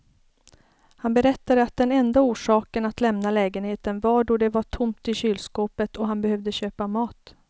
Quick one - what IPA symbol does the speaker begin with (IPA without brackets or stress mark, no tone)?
h